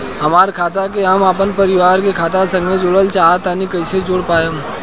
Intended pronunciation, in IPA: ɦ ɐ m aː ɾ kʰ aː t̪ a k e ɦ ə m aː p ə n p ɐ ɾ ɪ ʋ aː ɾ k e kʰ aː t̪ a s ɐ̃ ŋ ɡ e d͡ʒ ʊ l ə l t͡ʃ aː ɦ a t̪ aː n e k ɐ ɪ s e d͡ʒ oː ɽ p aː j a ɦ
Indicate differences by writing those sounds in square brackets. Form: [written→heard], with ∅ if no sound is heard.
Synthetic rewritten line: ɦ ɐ m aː ɾ kʰ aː t̪ a k e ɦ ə m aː p ə n p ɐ ɾ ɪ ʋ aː ɾ k e kʰ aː t̪ a s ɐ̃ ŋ ɡ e d͡ʒ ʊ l ə l t͡ʃ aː ɦ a t̪ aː n [e→i] k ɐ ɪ s e d͡ʒ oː ɽ p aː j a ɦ